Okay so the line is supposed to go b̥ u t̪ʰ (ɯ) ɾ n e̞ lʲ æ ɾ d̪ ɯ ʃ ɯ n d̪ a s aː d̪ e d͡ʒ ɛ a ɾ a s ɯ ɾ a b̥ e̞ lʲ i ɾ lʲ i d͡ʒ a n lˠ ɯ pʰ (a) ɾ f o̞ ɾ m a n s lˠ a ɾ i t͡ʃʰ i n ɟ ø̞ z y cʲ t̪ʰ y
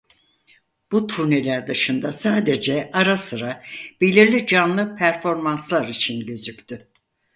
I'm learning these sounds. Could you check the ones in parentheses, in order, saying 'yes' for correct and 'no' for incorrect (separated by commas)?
no, no